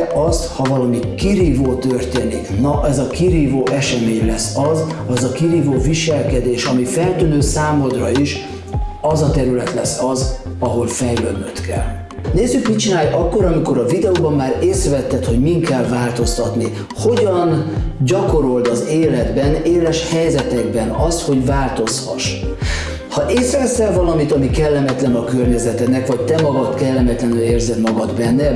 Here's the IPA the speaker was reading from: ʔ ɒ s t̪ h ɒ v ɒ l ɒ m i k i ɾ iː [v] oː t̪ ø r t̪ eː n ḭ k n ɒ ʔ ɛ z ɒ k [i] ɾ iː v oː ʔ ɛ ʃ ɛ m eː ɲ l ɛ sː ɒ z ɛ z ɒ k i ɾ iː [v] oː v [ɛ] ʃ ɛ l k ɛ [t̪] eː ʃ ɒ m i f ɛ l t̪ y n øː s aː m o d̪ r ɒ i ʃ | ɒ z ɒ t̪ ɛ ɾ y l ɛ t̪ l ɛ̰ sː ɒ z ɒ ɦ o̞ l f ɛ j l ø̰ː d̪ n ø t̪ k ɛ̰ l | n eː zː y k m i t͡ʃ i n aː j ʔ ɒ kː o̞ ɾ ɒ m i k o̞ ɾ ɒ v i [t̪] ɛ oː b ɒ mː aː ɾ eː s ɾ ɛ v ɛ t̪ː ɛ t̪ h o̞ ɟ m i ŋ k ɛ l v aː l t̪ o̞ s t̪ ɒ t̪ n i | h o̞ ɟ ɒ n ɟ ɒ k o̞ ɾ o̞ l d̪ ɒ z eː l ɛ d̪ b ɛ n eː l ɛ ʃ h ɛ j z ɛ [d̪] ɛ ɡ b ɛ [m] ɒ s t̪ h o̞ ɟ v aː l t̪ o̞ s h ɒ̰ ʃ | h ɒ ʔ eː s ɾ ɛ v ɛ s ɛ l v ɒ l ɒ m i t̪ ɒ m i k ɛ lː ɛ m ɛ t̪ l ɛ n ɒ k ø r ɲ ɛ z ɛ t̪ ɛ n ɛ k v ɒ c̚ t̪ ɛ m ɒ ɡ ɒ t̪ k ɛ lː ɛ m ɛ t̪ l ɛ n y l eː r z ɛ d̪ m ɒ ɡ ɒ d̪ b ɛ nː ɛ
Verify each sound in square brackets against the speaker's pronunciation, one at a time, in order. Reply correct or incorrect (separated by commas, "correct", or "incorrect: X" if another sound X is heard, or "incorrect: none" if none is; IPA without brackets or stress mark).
correct, correct, correct, incorrect: i, incorrect: d̪, incorrect: d̪, incorrect: t̪, incorrect: n